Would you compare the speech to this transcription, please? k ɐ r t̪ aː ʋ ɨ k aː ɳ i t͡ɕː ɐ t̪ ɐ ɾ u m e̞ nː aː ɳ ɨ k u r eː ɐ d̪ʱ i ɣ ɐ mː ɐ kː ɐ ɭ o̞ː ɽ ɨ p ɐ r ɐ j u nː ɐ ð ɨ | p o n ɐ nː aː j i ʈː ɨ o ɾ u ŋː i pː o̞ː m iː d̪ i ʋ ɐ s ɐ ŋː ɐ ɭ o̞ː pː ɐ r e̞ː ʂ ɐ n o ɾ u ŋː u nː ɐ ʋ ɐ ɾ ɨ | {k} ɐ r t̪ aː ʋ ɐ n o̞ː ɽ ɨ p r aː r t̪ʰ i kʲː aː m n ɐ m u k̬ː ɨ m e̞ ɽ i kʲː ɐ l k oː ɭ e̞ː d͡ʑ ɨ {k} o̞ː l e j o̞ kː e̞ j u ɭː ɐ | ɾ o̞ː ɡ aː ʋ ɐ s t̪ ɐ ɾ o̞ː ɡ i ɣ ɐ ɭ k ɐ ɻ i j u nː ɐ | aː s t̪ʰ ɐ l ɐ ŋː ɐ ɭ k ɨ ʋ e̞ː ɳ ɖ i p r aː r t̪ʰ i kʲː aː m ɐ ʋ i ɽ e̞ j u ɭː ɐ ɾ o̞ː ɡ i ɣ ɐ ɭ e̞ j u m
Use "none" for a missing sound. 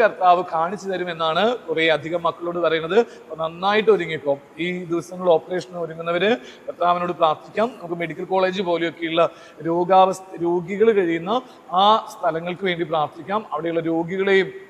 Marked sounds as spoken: k, p

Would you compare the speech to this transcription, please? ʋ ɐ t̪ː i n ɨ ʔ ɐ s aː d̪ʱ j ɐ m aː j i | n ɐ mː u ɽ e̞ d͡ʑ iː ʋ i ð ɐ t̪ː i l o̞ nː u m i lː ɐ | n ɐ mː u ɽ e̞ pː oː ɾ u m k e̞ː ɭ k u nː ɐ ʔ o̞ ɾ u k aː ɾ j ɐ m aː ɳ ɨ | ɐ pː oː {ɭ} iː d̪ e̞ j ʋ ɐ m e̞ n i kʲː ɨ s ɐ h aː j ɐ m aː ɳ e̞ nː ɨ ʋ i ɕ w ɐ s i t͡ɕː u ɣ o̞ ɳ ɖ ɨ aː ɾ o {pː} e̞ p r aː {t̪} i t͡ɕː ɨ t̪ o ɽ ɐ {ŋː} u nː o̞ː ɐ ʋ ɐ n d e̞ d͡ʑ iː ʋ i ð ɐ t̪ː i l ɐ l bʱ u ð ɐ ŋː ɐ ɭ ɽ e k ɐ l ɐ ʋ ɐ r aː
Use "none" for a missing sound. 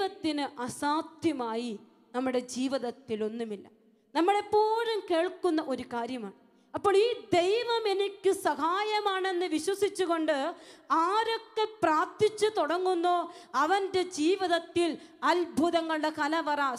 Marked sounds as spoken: ɭ, kː, t̪, ŋː

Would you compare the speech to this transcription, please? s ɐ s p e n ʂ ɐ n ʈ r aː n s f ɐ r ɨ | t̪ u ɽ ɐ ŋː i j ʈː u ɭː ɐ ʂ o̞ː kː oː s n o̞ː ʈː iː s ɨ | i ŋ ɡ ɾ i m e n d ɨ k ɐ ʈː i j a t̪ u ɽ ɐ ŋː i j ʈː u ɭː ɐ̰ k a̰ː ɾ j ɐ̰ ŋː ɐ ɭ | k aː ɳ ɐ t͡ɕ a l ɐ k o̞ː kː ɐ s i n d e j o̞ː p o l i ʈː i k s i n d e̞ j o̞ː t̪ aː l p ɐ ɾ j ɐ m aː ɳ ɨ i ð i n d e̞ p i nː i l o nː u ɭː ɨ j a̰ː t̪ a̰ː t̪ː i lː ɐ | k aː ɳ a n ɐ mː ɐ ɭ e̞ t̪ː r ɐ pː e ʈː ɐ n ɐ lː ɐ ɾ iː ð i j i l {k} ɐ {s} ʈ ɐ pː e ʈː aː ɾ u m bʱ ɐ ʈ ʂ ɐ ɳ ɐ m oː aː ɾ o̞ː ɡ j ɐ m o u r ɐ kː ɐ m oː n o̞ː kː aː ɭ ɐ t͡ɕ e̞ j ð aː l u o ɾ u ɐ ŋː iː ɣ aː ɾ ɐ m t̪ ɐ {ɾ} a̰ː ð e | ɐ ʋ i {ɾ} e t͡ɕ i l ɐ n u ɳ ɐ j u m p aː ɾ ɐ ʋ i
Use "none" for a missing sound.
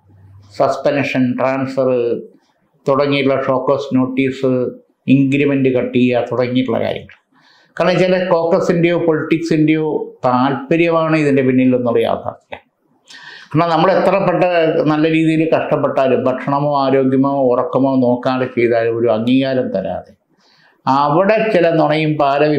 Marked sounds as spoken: k, ʂ, ɾ, ɽ

